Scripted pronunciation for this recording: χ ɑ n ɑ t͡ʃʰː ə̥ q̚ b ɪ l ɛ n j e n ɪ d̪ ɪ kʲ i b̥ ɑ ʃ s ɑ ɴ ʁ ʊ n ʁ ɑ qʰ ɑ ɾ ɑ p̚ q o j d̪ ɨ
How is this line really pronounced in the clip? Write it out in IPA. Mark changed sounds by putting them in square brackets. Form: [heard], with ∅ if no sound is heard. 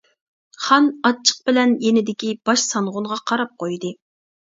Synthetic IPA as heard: χ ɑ n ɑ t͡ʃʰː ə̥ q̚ b ɪ l ɛ n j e n ɪ d̪ ɪ kʲ i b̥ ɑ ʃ s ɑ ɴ ʁ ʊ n ʁ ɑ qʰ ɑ ɾ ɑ p̚ q o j d̪ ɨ